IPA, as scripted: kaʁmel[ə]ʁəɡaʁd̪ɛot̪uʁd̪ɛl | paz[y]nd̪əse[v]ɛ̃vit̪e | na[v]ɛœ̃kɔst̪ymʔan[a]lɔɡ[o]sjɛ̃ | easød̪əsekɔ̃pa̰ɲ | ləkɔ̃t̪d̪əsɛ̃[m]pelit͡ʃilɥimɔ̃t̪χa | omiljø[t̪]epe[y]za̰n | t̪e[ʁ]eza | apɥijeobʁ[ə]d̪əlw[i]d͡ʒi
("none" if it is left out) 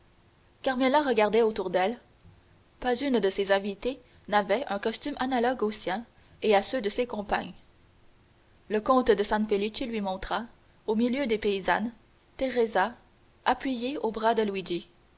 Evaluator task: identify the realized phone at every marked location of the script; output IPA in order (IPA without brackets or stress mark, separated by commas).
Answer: a, y, z, v, a, o, n, d̪, i, ʁ, a, i